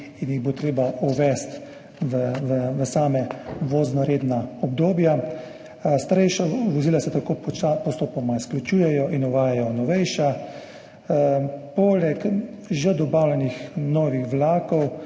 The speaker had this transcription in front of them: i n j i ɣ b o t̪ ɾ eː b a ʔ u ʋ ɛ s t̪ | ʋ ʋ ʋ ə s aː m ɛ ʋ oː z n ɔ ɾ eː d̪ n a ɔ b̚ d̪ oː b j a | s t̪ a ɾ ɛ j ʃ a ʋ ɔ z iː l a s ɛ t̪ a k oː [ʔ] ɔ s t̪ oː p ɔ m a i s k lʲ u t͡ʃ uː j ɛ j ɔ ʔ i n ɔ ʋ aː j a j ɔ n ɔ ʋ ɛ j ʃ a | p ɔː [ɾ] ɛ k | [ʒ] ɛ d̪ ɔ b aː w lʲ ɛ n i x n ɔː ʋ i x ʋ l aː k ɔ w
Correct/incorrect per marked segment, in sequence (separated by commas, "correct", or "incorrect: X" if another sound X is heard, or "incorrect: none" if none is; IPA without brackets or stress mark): incorrect: p, incorrect: l, correct